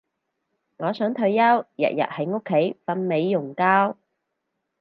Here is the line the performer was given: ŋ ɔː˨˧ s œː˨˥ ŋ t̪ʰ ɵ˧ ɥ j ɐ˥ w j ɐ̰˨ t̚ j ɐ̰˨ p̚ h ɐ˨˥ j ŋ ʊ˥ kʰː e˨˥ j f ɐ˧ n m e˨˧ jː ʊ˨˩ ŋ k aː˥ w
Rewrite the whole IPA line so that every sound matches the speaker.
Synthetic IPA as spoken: ŋ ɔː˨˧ s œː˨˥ ŋ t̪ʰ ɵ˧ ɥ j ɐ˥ w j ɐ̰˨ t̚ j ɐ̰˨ t̚ h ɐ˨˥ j ŋ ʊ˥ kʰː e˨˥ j f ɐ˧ n m e˨˧ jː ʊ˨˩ ŋ k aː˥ w